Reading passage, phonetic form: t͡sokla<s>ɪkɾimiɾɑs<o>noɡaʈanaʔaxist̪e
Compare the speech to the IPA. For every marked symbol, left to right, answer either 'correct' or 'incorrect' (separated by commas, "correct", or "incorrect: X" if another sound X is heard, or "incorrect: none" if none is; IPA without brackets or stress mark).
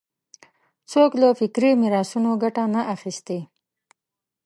incorrect: f, incorrect: u